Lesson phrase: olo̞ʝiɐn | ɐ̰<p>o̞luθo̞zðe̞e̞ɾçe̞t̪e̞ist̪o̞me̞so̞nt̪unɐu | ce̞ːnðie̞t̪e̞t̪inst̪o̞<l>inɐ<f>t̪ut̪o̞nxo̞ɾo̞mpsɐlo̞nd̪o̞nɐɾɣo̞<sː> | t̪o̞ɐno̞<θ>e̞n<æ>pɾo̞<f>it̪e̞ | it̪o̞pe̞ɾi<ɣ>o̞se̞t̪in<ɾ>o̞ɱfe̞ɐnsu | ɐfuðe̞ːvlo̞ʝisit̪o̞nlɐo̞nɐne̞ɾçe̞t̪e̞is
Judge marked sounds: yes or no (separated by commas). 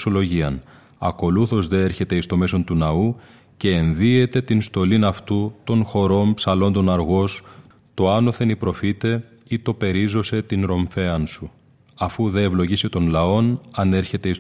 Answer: no, yes, yes, no, yes, no, yes, no, yes